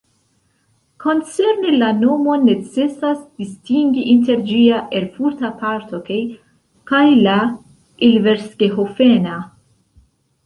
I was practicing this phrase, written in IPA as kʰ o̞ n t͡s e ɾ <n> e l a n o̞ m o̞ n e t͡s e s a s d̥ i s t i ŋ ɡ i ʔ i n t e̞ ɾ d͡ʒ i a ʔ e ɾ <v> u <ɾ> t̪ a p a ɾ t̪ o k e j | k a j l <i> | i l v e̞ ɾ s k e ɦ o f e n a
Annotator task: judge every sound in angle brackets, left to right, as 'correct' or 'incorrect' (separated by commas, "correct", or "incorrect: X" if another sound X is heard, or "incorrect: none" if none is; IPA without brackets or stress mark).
correct, incorrect: f, correct, incorrect: a